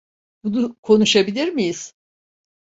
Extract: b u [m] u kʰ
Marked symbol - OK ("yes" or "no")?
no